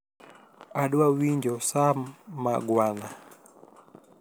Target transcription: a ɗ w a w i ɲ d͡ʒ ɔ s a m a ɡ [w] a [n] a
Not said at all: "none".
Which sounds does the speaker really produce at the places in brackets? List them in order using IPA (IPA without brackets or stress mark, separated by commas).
w, n